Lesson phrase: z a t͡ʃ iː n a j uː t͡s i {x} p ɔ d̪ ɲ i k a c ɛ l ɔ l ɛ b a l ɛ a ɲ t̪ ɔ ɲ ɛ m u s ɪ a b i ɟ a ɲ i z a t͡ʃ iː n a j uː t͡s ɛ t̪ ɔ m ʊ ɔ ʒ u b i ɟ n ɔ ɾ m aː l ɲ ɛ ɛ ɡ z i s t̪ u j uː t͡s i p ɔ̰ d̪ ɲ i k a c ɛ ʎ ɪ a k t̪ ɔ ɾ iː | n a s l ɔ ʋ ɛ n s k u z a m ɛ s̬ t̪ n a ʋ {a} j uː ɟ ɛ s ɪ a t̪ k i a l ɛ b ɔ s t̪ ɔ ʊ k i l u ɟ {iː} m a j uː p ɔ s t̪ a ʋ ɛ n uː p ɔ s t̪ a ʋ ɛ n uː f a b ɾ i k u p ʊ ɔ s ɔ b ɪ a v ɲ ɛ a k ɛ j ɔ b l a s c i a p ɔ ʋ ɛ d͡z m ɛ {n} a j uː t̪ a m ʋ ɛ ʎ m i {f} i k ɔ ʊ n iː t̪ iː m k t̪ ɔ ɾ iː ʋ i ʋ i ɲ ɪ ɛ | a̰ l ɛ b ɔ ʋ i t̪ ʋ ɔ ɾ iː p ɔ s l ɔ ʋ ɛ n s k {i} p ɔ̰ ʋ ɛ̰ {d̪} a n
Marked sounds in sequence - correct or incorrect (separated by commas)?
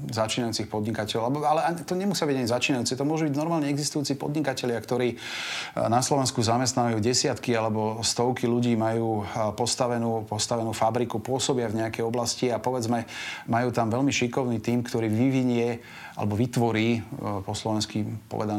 correct, correct, correct, incorrect, incorrect, correct, correct